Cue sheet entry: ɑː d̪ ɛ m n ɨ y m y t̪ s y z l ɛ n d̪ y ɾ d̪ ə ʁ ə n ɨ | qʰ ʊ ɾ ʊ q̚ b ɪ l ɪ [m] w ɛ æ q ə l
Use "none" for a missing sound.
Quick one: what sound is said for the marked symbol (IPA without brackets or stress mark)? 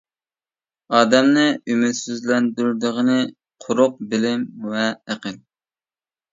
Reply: m